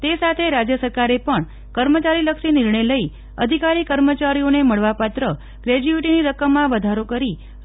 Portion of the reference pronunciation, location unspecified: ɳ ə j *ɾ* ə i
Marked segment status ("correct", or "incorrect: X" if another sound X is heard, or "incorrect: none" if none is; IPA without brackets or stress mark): incorrect: l